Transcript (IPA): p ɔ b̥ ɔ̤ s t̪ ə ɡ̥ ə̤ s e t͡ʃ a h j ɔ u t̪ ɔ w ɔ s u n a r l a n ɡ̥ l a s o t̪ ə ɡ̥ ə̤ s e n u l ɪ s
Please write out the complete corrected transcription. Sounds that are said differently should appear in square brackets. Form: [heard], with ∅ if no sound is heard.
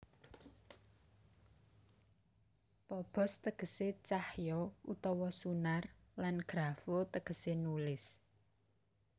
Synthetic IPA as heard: p ɔ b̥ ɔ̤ s t̪ ə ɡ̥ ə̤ s e t͡ʃ a h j ɔ u t̪ ɔ w ɔ s u n a r l a n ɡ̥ [ɾ] a [f] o t̪ ə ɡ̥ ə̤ s e n u l ɪ s